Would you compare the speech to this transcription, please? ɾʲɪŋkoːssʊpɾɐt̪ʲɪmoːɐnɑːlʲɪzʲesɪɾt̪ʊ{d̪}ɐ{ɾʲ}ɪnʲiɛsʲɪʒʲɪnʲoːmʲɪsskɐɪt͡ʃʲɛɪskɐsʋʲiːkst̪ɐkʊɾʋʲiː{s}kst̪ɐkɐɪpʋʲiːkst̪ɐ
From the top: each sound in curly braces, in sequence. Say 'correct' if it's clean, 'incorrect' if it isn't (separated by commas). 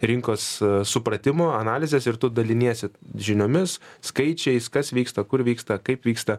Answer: correct, incorrect, incorrect